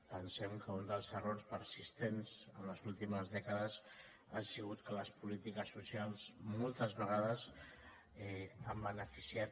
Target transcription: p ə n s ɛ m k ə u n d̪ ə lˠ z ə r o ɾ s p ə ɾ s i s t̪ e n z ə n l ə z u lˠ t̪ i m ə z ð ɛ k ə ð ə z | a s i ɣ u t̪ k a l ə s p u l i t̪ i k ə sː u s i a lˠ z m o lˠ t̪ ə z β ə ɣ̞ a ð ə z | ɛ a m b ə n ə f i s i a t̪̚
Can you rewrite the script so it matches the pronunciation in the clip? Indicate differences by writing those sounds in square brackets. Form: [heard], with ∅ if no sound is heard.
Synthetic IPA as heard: p ə n s ɛ m k ə u n d̪ ə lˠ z ə r o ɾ s p ə ɾ s i s t̪ e n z ə n l ə z u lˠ t̪ i m ə z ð ɛ k ə ð ə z | a s i ɣ u t̪ k [ə] l ə s p u l i t̪ i k ə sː u s i a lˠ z m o lˠ t̪ ə z β ə ɣ̞ a ð ə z | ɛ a m b ə n ə f i s i a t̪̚